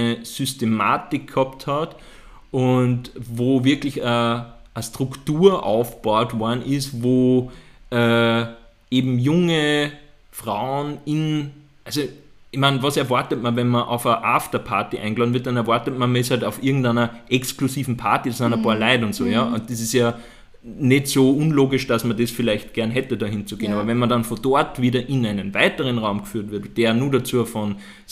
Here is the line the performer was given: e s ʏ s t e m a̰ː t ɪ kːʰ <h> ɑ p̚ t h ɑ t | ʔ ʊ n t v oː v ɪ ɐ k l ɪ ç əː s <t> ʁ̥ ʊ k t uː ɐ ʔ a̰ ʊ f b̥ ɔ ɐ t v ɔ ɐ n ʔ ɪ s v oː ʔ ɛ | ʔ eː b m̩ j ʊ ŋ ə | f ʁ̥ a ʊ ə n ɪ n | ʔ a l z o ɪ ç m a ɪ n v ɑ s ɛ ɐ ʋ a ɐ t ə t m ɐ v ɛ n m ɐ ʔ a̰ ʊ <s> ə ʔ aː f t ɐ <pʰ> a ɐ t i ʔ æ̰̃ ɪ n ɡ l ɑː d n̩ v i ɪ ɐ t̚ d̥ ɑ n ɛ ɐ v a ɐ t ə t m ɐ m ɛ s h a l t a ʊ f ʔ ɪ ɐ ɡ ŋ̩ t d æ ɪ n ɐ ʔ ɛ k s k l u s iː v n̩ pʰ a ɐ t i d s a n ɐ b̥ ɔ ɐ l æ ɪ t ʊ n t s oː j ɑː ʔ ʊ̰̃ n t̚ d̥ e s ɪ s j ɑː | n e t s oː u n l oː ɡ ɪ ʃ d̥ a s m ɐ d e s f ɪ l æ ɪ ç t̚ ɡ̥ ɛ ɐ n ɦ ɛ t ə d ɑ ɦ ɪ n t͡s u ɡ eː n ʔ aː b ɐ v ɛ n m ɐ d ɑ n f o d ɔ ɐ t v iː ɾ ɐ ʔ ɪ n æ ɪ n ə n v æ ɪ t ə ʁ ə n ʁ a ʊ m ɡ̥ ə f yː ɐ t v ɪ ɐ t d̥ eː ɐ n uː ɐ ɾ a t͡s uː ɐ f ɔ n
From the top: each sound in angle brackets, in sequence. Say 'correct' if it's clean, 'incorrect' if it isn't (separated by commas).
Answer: correct, correct, incorrect, correct